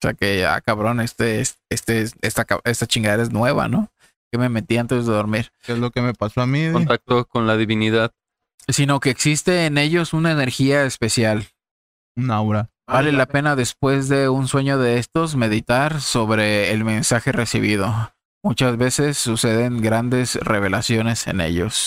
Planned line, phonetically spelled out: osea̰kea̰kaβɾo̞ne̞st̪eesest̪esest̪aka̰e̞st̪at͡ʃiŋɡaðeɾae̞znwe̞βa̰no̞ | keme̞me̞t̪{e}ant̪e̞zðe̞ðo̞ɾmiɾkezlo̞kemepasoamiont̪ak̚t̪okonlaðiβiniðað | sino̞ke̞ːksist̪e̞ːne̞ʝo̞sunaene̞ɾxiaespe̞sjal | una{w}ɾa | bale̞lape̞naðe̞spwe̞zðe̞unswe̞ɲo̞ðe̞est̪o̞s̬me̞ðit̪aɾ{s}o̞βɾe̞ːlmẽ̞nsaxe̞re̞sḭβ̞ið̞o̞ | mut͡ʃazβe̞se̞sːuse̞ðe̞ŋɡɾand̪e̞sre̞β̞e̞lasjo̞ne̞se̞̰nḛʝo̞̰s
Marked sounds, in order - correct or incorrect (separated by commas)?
incorrect, correct, correct